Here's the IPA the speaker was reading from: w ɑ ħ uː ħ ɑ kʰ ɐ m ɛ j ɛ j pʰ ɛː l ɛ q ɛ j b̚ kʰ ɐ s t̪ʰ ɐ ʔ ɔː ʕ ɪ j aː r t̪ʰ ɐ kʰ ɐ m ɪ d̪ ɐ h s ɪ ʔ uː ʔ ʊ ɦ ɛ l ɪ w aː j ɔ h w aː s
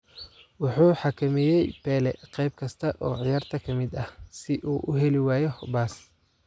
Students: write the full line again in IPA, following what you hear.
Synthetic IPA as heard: w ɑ ħ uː ħ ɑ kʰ ɐ m ɛ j ɛ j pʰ ɛː l ɛ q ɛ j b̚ kʰ ɐ s t̪ʰ ɐ ʔ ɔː ʕ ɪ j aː r t̪ʰ ɐ kʰ ɐ m ɪ d̪ ɐ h s ɪ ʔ uː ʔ ʊ ɦ ɛ l ɪ w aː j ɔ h b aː s